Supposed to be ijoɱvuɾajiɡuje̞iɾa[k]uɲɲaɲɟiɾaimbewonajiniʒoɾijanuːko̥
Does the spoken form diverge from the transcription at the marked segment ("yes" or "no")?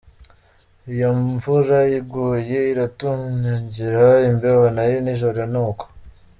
yes